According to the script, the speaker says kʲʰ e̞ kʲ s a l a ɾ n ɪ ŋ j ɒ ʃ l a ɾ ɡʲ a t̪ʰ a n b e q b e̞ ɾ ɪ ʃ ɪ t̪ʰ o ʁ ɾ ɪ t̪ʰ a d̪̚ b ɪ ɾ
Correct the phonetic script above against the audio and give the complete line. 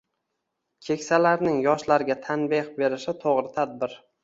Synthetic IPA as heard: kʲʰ e̞ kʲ s a l a ɾ n ɪ ŋ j ɒ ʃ l a ɾ ɡʲ a t̪ʰ a n b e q b e̞ ɾ ɪ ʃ ɪ t̪ʰ o ʁ ɾ ɪ t̪ʰ a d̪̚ b ɪ ɾ